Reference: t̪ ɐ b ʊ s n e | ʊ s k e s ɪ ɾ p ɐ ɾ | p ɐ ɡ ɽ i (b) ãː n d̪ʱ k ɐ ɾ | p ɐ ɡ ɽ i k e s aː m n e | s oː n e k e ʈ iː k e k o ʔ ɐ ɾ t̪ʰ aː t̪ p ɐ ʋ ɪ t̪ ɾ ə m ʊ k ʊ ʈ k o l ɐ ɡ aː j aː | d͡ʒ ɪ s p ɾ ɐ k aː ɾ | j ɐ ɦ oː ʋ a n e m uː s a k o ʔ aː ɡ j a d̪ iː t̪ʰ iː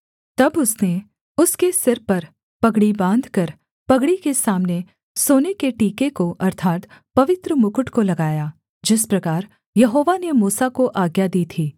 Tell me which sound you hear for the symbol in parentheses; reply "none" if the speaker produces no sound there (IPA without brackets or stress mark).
b